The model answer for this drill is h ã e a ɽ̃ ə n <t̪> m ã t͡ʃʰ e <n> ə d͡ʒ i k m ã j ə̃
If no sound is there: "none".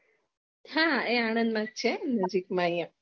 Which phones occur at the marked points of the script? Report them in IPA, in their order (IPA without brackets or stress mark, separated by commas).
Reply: d̪, n